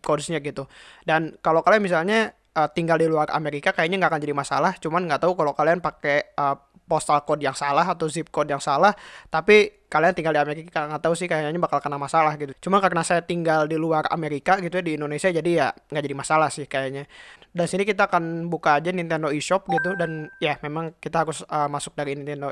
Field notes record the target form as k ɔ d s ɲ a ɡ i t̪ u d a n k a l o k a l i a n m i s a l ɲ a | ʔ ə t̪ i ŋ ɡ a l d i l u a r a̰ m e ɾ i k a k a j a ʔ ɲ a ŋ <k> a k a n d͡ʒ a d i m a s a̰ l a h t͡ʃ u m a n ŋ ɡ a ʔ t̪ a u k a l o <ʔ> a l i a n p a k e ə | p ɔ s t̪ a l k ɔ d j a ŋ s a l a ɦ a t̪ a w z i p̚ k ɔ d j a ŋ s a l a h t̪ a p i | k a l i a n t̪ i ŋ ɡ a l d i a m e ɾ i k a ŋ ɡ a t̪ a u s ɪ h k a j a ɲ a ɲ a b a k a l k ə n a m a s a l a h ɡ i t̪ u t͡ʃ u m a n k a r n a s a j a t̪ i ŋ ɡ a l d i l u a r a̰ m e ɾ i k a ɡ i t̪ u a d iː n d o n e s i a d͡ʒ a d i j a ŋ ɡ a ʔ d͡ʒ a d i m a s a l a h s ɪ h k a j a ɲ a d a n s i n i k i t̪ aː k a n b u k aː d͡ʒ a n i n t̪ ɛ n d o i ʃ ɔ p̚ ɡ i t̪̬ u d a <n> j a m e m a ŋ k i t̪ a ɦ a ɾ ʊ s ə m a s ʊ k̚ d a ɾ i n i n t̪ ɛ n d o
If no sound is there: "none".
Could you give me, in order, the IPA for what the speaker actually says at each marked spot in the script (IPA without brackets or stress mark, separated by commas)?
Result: ɡ, k, n